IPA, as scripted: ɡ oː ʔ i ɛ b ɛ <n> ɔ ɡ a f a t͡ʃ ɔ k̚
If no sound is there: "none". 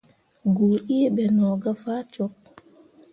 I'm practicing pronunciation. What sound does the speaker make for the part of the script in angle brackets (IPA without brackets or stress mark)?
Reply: n